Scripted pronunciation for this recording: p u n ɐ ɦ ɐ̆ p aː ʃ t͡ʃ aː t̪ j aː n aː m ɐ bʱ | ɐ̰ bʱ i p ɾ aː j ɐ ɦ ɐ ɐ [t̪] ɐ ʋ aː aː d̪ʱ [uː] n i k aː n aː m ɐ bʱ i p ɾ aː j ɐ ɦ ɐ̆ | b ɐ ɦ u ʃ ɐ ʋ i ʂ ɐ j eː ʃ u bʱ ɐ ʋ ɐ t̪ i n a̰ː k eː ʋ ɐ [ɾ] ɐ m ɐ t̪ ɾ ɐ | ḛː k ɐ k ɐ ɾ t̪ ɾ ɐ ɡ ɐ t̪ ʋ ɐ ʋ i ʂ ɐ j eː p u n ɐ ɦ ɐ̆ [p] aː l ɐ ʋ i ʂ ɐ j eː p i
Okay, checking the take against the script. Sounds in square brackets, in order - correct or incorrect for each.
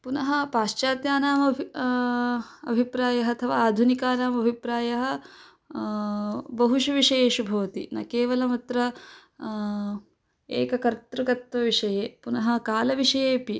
incorrect: t̪ʰ, incorrect: u, incorrect: l, incorrect: k

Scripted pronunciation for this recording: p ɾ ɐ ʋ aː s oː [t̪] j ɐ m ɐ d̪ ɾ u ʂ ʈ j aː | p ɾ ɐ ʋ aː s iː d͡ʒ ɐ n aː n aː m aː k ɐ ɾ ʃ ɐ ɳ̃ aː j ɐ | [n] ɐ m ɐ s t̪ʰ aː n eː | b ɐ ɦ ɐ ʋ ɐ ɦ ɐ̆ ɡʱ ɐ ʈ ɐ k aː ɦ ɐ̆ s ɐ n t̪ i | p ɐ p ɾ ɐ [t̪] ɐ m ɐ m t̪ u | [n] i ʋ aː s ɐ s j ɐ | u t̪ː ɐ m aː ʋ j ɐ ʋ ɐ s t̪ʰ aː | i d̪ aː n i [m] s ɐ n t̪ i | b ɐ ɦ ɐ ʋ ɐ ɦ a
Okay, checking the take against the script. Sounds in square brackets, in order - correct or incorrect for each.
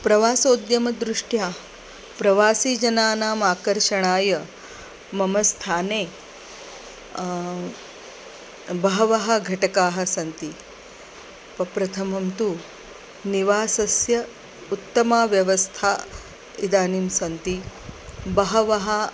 incorrect: d̪, incorrect: m, incorrect: t̪ʰ, correct, correct

